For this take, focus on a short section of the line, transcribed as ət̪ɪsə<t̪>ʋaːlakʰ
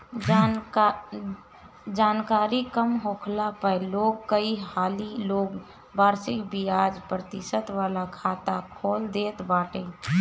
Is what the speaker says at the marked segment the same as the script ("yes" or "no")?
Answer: yes